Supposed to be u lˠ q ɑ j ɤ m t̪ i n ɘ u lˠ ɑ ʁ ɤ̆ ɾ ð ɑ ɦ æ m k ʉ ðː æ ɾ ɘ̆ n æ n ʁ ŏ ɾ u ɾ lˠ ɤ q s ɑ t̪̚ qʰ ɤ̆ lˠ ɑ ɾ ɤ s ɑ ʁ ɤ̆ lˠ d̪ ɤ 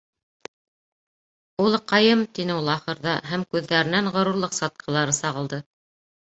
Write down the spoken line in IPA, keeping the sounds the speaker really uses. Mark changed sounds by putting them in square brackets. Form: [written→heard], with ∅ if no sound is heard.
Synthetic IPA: u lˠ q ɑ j ɤ m t̪ i n ɘ u lˠ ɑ [ʁ→χ] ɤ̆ ɾ ð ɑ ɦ æ m k ʉ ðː æ ɾ ɘ̆ n æ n ʁ ŏ ɾ u ɾ lˠ ɤ q s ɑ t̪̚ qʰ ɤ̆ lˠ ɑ ɾ ɤ s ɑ ʁ ɤ̆ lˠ d̪ ɤ